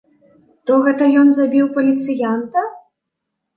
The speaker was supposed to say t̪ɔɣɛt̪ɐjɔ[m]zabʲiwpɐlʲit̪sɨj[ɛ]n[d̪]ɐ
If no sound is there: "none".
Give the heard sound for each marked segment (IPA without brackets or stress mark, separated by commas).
n, a, t̪